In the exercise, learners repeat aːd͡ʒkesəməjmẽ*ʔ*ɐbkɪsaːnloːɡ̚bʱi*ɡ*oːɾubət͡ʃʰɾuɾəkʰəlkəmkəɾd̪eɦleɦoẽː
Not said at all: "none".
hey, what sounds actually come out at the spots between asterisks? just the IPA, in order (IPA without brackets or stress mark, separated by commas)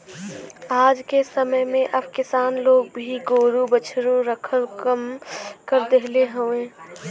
ʔ, ɡ